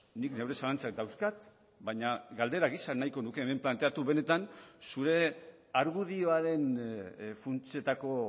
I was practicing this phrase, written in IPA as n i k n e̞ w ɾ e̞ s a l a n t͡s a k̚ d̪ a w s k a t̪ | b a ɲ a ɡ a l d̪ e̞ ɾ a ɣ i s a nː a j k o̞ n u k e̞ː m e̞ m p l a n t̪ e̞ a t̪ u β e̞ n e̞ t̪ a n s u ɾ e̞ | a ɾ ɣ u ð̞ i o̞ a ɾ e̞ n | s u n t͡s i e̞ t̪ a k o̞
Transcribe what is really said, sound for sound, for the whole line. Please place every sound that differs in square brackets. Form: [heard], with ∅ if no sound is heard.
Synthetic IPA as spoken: n i k n e̞ w ɾ e̞ s a l a n t͡s a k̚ d̪ a w s k a t̪ | b a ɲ a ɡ a l d̪ e̞ ɾ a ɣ i s a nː a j k o̞ n u k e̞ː m e̞ m p l a n t̪ e̞ a t̪ u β e̞ n e̞ t̪ a n s u ɾ e̞ | a ɾ ɣ u ð̞ i o̞ a ɾ e̞ n | [f] u n t͡s i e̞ t̪ a k o̞